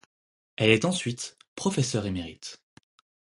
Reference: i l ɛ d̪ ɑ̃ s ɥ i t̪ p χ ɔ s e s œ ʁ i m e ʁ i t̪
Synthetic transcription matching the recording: ɛ l ɛ t̪ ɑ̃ s ɥ i t̪ p χ ɔ f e s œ ʁ e m e ʁ i t̪